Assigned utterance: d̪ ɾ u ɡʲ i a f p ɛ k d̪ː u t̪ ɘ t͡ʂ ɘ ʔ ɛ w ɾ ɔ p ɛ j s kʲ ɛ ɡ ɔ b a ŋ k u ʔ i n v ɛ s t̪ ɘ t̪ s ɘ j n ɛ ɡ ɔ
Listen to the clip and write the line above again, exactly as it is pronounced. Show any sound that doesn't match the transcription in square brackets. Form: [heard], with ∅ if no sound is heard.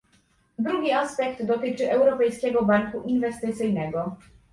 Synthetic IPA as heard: d̪ ɾ u ɡʲ i a [s] p ɛ k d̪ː [ɔ] t̪ ɘ t͡ʂ ɘ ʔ ɛ w ɾ ɔ p ɛ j s kʲ ɛ ɡ ɔ b a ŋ k u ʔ i n v ɛ s t̪ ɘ t̪ s ɘ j n ɛ ɡ ɔ